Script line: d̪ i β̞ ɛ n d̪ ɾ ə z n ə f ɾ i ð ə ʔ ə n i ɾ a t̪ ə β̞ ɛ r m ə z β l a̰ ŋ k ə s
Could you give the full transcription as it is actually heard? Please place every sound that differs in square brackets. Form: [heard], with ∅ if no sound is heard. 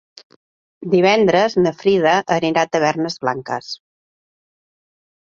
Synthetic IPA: d̪ i β̞ ɛ n d̪ ɾ ə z n ə f ɾ i ð ə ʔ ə n i ɾ a t̪ ə β̞ ɛ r [n] ə z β l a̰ ŋ k ə s